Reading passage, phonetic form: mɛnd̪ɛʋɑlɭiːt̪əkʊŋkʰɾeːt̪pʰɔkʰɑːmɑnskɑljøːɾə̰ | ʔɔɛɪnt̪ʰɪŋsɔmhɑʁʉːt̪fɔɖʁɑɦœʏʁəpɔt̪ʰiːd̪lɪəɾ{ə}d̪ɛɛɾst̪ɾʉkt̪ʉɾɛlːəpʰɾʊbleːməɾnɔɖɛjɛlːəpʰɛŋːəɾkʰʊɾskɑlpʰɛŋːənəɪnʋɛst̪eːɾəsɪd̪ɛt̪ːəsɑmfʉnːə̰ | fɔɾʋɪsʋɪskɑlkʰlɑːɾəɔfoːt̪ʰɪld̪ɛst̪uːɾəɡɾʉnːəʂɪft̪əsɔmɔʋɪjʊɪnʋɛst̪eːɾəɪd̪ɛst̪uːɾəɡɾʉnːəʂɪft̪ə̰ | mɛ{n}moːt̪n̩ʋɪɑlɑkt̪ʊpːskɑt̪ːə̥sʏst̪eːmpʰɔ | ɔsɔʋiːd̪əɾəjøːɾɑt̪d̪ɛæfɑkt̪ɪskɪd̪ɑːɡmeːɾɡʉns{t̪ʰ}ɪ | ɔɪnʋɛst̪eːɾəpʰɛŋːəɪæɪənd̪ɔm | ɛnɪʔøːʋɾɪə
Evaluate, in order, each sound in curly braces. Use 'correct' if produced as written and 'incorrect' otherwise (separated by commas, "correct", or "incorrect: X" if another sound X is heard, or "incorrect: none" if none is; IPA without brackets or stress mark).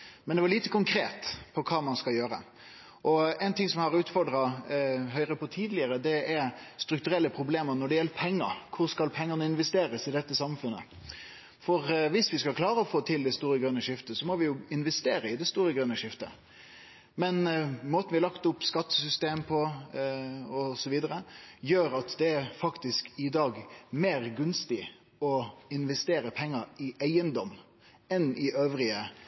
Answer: correct, correct, incorrect: t̪